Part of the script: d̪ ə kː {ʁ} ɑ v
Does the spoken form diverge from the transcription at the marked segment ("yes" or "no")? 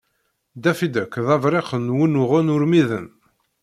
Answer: yes